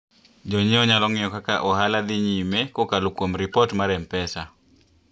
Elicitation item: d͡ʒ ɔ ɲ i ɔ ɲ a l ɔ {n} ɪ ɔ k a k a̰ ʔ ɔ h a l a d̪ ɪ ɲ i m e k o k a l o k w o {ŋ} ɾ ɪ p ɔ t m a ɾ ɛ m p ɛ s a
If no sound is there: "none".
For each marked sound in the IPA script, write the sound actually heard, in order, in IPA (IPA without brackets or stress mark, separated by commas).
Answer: ŋ, m